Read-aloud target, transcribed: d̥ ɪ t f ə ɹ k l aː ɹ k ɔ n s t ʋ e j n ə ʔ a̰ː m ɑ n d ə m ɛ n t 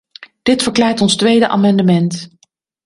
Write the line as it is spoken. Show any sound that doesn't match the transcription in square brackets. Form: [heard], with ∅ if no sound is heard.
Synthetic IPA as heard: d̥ ɪ t f ə ɹ k l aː ɹ [t] ɔ n s t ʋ e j [d] ə ʔ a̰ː m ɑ n d ə m ɛ n t